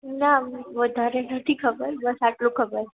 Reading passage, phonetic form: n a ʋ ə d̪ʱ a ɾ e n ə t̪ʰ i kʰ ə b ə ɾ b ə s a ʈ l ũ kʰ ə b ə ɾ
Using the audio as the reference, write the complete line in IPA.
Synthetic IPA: n a ʋ ə d̪ʱ a ɾ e n ə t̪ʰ i kʰ ə b ə ɾ b ə s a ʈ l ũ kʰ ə b ə ɾ